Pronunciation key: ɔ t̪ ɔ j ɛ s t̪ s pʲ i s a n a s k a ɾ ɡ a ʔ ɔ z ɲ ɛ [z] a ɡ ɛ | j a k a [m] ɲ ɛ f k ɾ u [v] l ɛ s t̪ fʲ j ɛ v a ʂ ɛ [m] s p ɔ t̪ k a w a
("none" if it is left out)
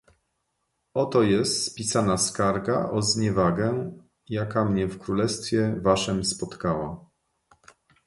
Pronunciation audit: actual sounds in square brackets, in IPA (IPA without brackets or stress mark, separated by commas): v, m, none, m